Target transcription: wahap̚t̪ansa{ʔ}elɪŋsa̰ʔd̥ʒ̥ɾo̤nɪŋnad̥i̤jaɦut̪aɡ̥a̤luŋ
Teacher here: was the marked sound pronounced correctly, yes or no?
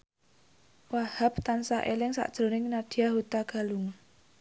yes